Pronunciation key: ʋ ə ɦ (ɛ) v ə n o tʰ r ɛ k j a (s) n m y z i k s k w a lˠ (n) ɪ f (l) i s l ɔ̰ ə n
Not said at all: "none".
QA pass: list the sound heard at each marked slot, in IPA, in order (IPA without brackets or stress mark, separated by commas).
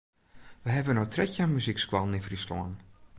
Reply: ɛ, none, n, r